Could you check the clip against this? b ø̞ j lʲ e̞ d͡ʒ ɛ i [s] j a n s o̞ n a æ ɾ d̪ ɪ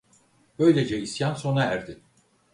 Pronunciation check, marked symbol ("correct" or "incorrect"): correct